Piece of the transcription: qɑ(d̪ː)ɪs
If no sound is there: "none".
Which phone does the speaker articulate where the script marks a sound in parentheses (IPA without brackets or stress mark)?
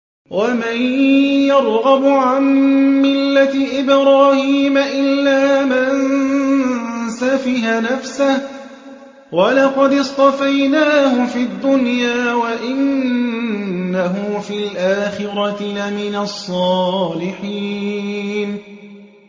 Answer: d̪